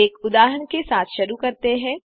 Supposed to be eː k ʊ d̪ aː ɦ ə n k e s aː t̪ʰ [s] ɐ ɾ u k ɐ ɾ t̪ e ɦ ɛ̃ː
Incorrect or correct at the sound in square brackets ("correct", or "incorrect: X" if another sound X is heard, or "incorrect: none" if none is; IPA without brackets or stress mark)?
incorrect: ʃ